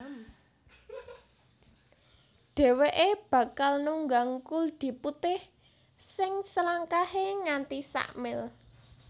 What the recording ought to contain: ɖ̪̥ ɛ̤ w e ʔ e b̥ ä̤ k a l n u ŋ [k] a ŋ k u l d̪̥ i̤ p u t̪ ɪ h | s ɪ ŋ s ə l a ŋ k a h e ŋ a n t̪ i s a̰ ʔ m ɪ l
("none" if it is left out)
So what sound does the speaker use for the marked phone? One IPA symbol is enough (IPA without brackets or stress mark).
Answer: ɡ